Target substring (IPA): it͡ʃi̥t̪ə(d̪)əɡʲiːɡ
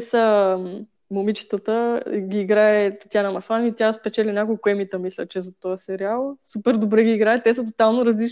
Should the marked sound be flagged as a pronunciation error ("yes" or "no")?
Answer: yes